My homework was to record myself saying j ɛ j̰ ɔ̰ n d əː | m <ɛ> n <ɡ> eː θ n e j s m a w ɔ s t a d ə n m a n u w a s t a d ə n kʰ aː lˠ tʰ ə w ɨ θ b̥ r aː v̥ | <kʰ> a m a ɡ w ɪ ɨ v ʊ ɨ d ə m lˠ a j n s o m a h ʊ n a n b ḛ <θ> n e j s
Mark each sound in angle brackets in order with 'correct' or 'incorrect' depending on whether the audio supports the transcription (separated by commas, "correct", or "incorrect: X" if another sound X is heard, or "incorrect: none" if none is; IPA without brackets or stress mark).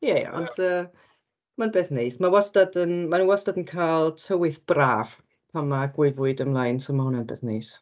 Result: incorrect: a, incorrect: b, incorrect: pʰ, correct